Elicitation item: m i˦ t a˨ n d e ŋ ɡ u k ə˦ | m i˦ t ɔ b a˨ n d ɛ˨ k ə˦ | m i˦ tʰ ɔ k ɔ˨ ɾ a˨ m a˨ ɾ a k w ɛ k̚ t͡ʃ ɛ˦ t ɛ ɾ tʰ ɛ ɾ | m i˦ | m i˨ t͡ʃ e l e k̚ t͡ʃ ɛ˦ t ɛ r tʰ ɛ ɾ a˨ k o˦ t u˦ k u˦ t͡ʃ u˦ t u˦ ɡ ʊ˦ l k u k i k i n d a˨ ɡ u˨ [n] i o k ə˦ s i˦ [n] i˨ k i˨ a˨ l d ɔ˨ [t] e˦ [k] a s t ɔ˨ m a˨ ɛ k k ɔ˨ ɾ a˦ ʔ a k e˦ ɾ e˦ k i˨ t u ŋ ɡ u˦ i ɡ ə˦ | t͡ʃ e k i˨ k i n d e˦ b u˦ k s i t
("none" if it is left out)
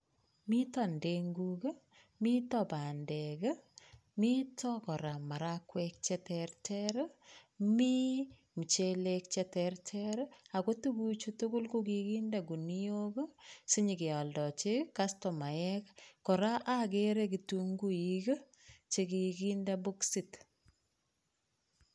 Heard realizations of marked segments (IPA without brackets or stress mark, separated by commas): n, ɲ, t͡ʃ, k